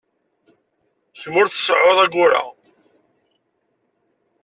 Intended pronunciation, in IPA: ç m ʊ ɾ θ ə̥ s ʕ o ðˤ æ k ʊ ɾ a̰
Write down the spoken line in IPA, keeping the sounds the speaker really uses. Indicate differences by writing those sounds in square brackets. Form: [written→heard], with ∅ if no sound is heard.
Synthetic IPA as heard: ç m ʊ ɾ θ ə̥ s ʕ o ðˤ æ [k→ɡ] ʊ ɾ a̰